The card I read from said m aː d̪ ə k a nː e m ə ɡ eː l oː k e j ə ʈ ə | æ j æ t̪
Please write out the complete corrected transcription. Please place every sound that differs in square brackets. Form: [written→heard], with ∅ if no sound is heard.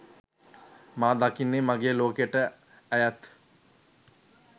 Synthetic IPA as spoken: m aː d̪ [ə→a] k [a→i] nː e m [ə→a] ɡ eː l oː k e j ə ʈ ə | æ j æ t̪